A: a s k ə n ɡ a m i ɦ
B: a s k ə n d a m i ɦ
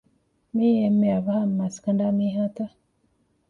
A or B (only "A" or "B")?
B